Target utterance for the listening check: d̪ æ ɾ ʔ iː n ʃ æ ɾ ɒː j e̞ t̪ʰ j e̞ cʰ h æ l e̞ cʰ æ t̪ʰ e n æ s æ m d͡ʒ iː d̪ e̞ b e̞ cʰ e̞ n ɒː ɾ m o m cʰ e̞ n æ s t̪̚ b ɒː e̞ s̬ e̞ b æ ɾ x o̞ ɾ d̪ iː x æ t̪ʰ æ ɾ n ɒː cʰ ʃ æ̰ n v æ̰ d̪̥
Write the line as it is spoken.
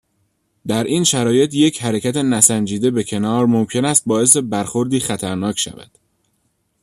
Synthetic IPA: d̪ æ ɾ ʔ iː n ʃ æ ɾ ɒː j e̞ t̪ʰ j e̞ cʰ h æ ɾ e̞ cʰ æ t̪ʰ e n æ s æ n d͡ʒ iː d̪ e̞ b e̞ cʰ e̞ n ɒː ɾ m o m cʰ e̞ n æ s t̪̚ b ɒː e̞ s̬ e̞ b æ ɾ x o̞ ɾ d̪ iː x æ t̪ʰ æ ɾ n ɒː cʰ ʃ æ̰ v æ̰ d̪̥